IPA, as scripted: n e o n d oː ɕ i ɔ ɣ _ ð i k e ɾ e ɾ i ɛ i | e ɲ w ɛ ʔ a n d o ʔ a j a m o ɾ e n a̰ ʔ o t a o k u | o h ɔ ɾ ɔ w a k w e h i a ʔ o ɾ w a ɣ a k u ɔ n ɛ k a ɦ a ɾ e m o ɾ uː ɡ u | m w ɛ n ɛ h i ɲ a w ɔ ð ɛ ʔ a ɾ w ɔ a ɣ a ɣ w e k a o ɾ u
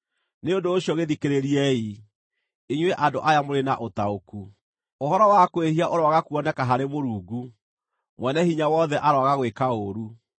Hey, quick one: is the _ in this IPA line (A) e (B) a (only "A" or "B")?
A